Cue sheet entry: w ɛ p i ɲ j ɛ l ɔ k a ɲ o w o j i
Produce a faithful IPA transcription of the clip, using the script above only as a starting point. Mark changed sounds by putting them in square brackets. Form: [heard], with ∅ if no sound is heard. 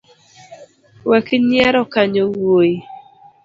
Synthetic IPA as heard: w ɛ [k] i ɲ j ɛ [ɾ] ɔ k a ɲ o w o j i